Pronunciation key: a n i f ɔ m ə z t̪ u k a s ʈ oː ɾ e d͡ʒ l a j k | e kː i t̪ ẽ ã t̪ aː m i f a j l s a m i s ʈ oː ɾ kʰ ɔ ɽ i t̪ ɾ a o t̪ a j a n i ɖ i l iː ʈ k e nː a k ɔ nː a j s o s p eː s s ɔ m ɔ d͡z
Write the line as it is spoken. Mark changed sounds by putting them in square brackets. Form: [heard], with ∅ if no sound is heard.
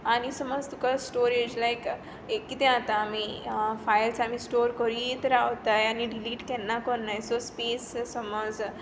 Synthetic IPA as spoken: a n i [s] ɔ m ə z t̪ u k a s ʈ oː ɾ e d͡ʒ l a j k | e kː i t̪ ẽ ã t̪ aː m i f a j l s a m i s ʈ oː ɾ [k] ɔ [ɾ] i t̪ ɾ a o t̪ a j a n i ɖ i l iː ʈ k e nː a k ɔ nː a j s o s p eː s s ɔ m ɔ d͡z